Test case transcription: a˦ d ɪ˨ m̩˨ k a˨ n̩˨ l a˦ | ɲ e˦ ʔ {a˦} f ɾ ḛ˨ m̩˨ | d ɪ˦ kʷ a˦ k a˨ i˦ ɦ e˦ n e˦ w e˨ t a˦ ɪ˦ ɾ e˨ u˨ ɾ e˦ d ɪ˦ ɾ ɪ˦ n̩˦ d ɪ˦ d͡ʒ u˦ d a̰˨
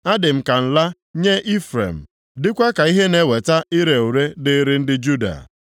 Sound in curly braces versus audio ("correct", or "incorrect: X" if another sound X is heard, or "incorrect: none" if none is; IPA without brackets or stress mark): incorrect: i˦